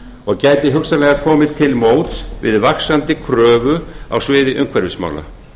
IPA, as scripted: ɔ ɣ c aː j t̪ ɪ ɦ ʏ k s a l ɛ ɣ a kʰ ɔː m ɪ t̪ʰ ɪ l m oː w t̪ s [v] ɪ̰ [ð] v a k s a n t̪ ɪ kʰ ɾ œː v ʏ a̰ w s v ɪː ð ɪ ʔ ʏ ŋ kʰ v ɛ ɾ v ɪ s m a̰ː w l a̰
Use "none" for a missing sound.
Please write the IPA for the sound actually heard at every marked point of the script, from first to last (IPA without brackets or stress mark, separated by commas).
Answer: v, ð